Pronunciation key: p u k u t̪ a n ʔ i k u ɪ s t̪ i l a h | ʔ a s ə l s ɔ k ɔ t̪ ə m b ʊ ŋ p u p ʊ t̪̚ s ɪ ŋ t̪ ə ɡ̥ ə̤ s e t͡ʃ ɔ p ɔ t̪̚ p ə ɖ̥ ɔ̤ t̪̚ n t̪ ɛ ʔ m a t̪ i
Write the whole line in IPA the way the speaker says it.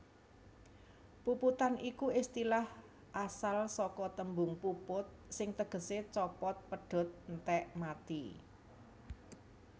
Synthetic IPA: p u p u t̪ a n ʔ i k u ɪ s t̪ i l a h | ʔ a s a l s ɔ k ɔ t̪ ə m b ʊ ŋ p u p ʊ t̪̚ s ɪ ŋ t̪ ə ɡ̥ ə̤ s e t͡ʃ ɔ p ɔ t̪̚ p ə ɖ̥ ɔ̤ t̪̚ n t̪ ɛ ʔ m a t̪ i